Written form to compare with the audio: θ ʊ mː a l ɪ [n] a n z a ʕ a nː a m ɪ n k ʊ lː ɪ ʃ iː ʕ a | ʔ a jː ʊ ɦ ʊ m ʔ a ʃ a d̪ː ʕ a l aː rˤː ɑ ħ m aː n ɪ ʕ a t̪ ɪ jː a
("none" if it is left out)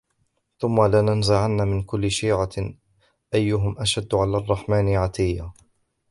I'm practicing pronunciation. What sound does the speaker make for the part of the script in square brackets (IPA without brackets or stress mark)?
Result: n